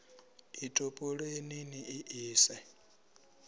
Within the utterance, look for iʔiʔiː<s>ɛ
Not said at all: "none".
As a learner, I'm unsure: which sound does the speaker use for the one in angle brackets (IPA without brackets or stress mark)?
s